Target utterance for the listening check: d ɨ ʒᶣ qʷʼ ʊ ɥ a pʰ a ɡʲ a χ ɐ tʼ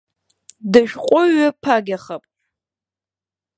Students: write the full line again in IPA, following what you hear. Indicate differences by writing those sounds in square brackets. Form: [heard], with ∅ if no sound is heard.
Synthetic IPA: d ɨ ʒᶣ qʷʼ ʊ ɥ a pʰ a ɡʲ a χ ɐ [pʼ]